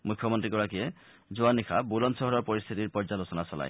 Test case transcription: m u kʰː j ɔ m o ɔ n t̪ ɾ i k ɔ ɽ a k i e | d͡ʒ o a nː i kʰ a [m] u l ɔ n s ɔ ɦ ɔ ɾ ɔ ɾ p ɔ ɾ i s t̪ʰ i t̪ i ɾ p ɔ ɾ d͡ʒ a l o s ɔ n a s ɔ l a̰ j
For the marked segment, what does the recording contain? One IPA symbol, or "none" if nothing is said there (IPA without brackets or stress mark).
b